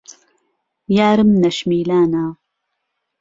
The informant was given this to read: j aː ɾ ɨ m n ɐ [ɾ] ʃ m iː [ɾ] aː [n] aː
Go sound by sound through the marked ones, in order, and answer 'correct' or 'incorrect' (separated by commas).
incorrect, incorrect, correct